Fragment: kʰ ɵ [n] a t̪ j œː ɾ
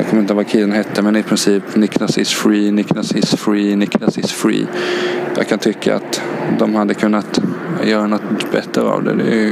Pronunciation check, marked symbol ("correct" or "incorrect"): incorrect